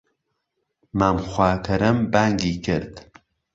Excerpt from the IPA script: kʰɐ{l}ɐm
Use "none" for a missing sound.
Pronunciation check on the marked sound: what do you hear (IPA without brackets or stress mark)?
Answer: ɾ